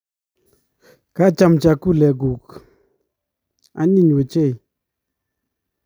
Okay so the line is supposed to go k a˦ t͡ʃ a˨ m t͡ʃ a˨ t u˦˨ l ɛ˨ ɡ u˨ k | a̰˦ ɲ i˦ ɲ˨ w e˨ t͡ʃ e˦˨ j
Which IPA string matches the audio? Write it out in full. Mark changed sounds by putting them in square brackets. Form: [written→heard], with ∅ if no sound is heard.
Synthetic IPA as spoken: k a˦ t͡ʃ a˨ m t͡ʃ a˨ [t→k] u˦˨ l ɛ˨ ɡ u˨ k | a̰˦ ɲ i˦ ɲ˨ w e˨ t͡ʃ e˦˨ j

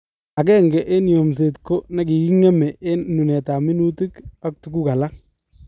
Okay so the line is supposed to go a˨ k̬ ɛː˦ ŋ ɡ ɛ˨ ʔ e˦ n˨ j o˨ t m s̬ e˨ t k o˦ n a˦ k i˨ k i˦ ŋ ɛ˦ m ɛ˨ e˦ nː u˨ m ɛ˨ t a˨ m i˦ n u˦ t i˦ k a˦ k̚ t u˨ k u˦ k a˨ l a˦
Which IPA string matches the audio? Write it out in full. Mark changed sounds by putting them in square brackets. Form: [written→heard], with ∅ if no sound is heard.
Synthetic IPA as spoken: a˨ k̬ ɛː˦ ŋ ɡ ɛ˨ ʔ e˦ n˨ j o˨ [t→∅] m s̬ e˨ t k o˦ n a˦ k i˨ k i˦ ŋ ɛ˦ m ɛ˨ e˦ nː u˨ [m→n] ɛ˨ t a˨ m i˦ n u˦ t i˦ k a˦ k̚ t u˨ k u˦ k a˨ l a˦

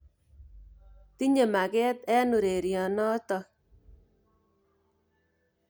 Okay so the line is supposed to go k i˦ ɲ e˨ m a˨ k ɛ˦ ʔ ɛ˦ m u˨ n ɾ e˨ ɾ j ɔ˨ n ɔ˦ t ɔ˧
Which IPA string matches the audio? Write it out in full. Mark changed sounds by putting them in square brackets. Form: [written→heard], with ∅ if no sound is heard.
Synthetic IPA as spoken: [k→t] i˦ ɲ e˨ m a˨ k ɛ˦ [ʔ→t] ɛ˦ [m→n] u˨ [n→∅] ɾ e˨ ɾ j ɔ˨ n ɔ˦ t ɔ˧

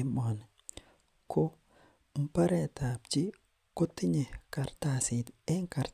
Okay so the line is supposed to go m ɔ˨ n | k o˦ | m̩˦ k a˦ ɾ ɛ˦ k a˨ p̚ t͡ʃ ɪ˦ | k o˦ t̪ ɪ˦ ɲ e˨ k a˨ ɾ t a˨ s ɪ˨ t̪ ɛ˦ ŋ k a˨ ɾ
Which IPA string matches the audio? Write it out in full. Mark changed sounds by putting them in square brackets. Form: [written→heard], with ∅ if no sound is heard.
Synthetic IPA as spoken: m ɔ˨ n | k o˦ | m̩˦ [k→p] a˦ ɾ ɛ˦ [k→t] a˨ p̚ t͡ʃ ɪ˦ | k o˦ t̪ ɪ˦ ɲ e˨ k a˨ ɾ t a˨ s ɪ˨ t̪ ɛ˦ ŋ k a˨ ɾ

